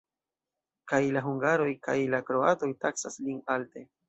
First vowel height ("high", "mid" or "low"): low